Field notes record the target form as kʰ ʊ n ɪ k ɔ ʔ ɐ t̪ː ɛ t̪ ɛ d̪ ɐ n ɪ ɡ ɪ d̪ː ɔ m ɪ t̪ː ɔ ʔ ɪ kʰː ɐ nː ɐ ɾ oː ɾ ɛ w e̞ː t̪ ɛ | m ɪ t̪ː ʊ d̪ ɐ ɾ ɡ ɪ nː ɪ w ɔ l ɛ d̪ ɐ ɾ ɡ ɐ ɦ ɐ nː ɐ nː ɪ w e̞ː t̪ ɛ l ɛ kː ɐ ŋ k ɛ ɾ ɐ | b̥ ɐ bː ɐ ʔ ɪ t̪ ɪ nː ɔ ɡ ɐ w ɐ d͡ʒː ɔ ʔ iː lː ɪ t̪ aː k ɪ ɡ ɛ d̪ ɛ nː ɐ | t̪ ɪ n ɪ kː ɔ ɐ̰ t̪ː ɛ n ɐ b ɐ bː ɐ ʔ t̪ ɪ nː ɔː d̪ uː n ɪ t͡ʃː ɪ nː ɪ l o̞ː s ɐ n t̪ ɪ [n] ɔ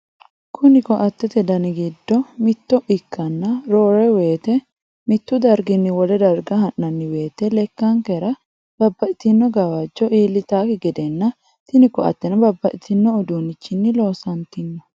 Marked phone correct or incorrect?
incorrect